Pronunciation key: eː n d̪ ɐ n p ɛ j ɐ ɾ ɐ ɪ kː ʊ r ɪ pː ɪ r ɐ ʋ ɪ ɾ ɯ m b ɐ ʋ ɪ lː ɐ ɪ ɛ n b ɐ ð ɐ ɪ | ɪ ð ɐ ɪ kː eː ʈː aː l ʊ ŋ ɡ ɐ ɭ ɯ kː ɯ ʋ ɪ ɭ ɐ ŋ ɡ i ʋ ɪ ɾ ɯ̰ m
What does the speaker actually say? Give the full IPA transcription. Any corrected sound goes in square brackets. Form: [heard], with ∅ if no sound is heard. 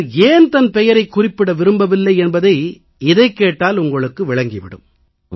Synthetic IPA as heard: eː n [t̪] ɐ n p ɛ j ɐ ɾ ɐ ɪ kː ʊ r ɪ pː ɪ [ɽ] ɐ ʋ ɪ ɾ ɯ m b ɐ ʋ ɪ lː ɐ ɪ ɛ n b ɐ ð ɐ ɪ | ɪ ð ɐ ɪ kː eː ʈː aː l ʊ ŋ ɡ ɐ ɭ ɯ kː ɯ ʋ ɪ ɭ ɐ ŋ ɡ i ʋ ɪ [ɽ] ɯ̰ m